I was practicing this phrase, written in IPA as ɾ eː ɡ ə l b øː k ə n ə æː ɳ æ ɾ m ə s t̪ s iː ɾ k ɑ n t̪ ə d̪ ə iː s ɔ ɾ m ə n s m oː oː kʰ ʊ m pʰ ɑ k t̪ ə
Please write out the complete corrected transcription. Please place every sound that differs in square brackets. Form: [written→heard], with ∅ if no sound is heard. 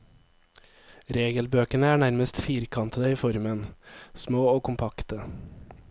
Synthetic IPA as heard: ɾ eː ɡ ə l b øː k ə n ə æː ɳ æ ɾ m ə s t̪ [s→f] iː ɾ [k→kʰ] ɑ n t̪ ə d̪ ə iː [s→f] ɔ ɾ m ə n s m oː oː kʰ ʊ m pʰ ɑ k t̪ ə